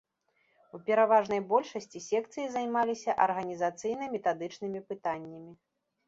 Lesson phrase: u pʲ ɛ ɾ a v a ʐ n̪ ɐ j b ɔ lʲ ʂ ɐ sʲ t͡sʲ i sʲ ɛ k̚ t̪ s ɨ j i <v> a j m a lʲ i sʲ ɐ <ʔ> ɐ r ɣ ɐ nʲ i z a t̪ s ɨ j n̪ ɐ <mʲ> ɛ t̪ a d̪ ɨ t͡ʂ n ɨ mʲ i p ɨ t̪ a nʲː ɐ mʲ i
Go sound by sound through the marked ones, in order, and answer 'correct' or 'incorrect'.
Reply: incorrect, correct, correct

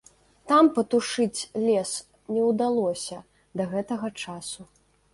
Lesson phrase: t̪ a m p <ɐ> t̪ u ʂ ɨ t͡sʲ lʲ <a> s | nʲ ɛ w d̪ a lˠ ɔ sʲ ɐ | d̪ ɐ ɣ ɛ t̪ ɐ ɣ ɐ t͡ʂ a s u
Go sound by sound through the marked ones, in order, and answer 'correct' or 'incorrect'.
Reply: correct, incorrect

